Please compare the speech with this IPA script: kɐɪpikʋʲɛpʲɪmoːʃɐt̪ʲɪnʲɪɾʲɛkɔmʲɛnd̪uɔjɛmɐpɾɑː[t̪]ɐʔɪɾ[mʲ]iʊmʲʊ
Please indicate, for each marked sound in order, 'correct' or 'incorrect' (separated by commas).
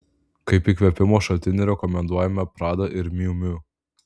incorrect, correct